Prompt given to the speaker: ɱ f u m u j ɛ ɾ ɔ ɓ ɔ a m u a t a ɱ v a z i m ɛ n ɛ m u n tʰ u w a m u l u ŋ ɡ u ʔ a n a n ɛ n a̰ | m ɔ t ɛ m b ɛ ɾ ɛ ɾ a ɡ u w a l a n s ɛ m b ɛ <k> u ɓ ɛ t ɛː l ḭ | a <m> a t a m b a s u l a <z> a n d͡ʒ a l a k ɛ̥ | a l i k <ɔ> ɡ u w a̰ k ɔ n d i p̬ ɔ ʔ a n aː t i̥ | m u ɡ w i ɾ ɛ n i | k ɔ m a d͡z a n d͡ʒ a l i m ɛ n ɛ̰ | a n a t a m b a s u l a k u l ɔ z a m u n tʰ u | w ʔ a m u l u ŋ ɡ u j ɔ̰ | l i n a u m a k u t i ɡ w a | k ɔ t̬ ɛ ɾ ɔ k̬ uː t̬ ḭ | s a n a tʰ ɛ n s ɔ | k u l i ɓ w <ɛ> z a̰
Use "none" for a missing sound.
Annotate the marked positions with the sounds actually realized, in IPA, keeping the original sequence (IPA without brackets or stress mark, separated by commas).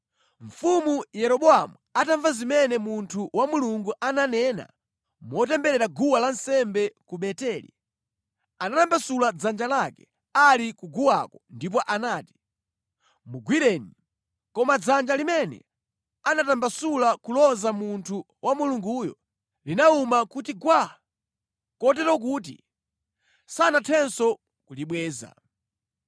k, n, d͡z, u, ɛː